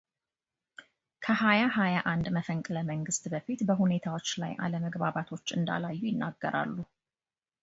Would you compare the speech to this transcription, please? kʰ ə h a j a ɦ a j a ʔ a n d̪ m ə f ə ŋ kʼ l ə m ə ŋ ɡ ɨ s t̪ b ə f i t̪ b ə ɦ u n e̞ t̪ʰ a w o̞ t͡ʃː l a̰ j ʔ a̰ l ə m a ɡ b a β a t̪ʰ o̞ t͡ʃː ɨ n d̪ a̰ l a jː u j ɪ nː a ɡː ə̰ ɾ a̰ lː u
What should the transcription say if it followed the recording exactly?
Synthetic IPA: kʰ ə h a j a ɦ a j a ʔ a n d̪ m ə f ə ŋ kʼ l ə m ə ŋ ɡ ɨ s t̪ b ə f i t̪ b ə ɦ u n e̞ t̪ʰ a w o̞ t͡ʃː l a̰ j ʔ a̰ l ə m ə ɡ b a β a t̪ʰ o̞ t͡ʃː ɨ n d̪ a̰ l a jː u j ɪ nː a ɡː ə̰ ɾ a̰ lː u